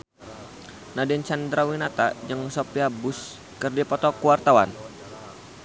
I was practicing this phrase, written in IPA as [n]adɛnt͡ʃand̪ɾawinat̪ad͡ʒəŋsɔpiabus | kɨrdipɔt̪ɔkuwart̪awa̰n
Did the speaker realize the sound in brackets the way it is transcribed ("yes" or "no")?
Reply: yes